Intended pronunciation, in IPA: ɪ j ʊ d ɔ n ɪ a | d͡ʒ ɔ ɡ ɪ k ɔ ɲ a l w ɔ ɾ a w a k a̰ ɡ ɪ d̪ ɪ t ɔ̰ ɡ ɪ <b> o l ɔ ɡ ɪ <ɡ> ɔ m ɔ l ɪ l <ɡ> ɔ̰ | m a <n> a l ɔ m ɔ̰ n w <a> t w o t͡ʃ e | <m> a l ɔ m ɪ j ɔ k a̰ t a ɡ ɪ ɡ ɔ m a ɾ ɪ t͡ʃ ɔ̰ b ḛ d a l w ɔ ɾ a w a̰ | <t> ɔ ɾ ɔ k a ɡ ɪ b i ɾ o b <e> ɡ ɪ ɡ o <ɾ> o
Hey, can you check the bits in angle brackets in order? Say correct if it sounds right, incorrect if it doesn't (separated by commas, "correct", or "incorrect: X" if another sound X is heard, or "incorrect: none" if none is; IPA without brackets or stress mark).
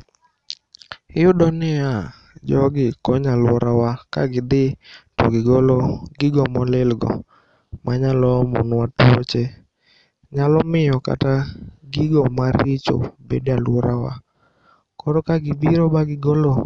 incorrect: ɡ, correct, correct, incorrect: ɲ, correct, incorrect: ɲ, incorrect: k, incorrect: a, incorrect: l